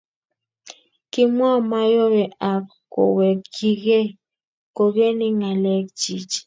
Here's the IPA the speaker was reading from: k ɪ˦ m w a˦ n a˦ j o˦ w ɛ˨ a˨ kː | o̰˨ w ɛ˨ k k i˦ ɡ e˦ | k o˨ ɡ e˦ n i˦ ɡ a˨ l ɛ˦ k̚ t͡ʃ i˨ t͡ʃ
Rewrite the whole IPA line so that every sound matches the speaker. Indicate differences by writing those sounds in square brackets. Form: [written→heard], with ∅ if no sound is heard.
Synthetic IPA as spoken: k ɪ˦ m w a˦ [n→m] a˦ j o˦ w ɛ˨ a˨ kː | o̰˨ w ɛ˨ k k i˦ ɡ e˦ | k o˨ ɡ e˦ n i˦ [ɡ→ŋ] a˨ l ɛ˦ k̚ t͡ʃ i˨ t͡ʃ

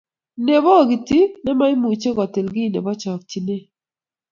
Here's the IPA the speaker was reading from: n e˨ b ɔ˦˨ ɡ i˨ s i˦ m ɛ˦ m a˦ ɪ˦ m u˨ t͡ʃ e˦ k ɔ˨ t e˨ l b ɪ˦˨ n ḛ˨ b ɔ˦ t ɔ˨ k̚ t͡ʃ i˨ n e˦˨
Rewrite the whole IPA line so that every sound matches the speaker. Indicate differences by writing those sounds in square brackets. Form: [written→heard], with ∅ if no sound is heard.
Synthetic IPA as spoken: n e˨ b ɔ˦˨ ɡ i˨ [s→t] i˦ [m→n] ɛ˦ m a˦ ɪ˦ m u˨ t͡ʃ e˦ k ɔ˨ t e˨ l [b→ɡ] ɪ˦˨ n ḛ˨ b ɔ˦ [t→t͡ʃ] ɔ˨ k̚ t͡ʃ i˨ n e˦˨

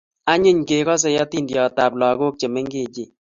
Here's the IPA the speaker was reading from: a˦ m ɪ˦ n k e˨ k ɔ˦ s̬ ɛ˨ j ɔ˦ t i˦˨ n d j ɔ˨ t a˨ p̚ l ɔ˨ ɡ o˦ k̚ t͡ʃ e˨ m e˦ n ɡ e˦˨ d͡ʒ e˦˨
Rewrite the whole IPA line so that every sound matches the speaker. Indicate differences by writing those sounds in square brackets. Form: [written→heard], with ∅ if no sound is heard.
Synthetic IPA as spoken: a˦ [m→ɲ] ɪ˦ [n→ɲ] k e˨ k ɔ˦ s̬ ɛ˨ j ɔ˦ t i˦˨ n d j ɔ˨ t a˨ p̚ l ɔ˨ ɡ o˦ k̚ t͡ʃ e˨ m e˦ [n→ŋ] ɡ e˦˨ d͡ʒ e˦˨

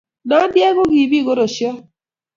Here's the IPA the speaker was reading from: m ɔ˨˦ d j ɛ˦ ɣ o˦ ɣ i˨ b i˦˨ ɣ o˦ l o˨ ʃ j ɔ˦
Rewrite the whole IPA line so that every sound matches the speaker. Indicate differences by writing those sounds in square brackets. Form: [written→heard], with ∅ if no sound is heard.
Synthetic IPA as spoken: [m→n] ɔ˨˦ d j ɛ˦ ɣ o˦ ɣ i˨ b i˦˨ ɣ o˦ [l→ɾ] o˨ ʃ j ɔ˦

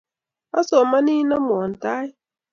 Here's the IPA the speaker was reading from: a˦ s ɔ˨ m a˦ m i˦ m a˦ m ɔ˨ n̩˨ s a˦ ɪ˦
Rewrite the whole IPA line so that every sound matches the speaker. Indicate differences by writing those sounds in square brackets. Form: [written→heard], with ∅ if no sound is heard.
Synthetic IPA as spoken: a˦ s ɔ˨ m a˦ [m→n] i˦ [m→n] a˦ m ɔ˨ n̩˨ [s→t] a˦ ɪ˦

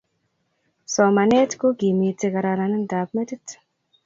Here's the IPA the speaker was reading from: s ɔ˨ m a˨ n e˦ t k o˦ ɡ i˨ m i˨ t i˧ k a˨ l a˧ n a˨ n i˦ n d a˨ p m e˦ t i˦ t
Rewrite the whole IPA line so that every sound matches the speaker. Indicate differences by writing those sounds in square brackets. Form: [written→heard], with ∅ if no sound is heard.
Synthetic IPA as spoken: s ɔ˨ m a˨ n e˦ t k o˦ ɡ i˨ m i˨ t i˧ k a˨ [l→ɾ] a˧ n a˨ n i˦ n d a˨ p m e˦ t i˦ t

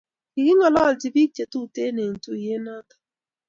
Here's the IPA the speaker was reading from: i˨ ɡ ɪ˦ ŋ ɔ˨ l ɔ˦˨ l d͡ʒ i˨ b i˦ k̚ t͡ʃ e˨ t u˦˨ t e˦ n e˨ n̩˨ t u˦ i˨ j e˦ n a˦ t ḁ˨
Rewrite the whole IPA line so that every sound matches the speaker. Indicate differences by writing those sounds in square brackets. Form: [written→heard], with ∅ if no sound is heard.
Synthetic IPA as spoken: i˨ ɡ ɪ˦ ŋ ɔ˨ l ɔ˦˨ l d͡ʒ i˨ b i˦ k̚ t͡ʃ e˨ t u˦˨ t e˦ n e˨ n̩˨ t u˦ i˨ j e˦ n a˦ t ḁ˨

